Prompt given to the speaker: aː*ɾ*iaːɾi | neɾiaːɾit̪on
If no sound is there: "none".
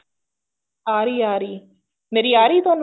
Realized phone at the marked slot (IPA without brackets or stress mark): ɾ